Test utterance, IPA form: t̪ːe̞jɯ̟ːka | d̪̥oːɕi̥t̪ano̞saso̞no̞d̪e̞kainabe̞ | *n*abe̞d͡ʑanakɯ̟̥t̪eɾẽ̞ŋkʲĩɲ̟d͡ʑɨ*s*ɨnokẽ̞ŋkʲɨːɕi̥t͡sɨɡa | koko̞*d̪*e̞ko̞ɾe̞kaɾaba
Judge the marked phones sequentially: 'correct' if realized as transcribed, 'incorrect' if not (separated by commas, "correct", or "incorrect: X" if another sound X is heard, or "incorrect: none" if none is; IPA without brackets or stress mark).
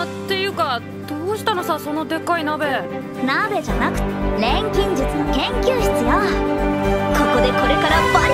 correct, incorrect: t͡s, correct